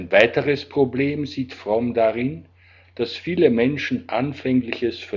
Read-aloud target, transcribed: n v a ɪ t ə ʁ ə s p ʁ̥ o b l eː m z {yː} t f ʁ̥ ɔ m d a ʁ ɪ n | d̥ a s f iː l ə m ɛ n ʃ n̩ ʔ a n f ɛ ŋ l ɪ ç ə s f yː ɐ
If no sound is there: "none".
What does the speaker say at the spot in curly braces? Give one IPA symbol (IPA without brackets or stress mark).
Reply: iː